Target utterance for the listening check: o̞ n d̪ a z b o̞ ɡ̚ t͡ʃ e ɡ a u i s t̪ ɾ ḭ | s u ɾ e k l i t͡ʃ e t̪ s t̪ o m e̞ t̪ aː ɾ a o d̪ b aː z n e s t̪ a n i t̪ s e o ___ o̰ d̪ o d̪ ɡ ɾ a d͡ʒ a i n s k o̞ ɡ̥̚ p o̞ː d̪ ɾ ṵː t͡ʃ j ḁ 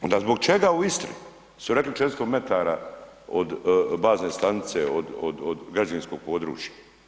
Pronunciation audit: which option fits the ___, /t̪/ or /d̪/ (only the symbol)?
d̪